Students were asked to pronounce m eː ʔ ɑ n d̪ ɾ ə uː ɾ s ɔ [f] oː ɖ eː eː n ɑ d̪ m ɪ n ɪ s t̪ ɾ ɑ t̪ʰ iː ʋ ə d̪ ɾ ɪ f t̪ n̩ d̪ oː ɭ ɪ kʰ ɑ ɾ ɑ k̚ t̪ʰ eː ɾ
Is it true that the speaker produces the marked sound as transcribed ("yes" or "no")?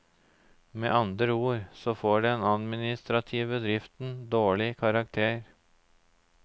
yes